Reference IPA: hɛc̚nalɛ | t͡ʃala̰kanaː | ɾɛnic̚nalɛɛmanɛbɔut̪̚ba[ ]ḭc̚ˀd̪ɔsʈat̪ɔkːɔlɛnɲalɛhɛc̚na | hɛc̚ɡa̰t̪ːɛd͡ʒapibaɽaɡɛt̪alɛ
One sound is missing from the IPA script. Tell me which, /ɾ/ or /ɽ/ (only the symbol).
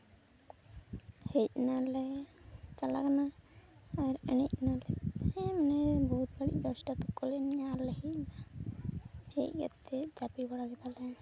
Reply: ɽ